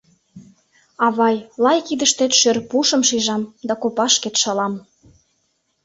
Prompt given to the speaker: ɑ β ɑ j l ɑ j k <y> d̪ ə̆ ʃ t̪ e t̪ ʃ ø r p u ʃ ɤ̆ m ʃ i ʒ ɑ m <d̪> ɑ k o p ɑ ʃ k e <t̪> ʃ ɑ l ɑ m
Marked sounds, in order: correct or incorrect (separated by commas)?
incorrect, correct, correct